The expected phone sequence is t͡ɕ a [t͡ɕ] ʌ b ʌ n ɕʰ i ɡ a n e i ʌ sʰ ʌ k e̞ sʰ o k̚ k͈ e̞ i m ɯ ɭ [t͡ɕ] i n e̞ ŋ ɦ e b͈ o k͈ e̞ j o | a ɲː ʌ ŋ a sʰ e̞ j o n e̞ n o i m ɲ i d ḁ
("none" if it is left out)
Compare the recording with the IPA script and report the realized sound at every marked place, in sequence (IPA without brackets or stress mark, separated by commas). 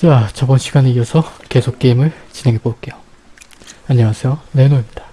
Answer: t͡ɕ, t͡ɕ